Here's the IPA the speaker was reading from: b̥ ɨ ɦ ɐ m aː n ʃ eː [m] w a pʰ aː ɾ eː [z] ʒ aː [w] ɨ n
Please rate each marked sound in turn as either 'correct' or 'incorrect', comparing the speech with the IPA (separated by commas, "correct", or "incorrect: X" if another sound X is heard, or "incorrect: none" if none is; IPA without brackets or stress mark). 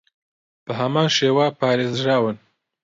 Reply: incorrect: none, correct, correct